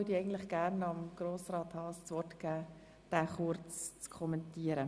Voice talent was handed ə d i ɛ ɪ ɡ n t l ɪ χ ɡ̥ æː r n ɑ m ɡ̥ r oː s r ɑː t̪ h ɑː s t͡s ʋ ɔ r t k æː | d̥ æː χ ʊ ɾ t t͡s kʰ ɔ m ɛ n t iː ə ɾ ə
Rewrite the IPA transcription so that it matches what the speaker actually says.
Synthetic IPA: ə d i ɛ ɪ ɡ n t l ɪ χ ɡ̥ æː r n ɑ m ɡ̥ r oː s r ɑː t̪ h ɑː s t͡s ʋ ɔ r t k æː | d̥ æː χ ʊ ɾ t͡s t͡s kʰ ɔ m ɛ n t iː ə ɾ ə